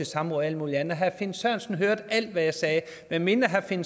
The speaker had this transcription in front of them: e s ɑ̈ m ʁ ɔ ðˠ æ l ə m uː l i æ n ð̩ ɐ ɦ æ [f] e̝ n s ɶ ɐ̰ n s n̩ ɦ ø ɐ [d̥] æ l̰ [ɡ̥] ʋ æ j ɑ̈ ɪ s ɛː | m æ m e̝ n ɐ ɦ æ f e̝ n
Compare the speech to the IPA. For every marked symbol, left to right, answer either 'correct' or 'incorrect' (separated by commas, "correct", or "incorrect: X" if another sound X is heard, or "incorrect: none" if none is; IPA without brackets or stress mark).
correct, correct, incorrect: d̥